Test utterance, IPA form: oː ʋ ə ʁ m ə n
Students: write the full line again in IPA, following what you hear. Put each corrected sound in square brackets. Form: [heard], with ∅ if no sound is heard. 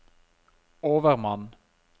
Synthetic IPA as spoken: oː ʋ ə ʁ m [ɑ] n